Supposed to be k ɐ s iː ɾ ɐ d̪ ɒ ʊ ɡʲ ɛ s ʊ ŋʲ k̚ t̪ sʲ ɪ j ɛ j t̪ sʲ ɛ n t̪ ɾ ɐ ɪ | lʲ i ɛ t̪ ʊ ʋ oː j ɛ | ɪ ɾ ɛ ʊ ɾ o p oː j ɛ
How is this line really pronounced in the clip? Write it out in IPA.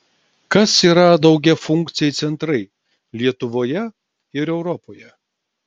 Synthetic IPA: k ɐ s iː ɾ ɐ d̪ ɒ ʊ ɡʲ ɛ f ʊ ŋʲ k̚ t̪ sʲ ɪ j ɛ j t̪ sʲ ɛ n t̪ ɾ ɐ ɪ | lʲ i ɛ t̪ ʊ ʋ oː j ɛ | ɪ ɾ ɛ ʊ ɾ ɔ p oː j ɛ